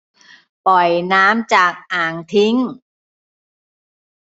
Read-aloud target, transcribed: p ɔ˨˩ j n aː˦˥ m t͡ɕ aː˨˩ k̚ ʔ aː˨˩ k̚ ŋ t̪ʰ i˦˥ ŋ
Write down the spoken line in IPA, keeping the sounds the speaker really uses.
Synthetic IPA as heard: p ɔ˨˩ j n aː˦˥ m t͡ɕ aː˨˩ k̚ ʔ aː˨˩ ŋ t̪ʰ i˦˥ ŋ

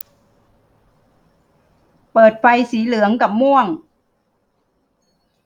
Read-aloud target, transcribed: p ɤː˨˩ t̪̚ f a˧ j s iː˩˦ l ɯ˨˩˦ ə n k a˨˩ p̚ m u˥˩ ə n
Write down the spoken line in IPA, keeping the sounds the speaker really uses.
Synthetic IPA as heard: p ɤː˨˩ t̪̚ f a˧ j s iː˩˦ l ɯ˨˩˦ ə ŋ k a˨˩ p̚ m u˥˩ ə ŋ

